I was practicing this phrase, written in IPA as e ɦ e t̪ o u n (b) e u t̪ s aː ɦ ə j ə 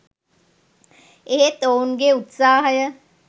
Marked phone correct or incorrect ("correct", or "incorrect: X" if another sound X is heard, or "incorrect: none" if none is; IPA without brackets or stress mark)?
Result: incorrect: ɡ